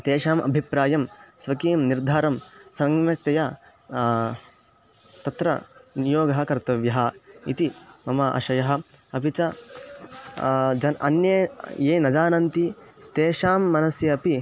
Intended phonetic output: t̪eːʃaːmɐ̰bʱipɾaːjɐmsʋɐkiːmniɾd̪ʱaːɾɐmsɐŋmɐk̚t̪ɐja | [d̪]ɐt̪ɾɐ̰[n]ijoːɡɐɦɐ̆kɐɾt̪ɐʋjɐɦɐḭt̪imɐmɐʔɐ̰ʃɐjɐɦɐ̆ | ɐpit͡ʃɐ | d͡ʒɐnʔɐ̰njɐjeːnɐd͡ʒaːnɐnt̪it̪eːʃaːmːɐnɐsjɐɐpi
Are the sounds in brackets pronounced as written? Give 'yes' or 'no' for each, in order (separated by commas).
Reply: no, yes